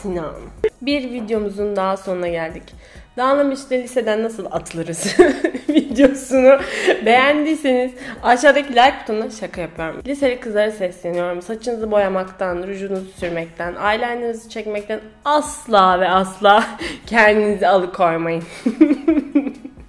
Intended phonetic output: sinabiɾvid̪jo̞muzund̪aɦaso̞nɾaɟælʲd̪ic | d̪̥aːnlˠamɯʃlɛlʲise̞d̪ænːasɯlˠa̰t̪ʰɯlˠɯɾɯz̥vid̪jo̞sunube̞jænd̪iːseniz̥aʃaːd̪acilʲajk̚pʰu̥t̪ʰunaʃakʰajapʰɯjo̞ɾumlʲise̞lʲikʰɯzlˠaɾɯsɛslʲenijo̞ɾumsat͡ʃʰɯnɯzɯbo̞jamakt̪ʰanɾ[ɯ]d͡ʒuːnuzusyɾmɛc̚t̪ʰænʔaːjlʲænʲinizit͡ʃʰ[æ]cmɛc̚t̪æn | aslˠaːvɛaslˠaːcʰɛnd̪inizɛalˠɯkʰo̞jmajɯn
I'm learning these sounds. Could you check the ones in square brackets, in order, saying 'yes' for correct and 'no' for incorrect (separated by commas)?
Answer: no, no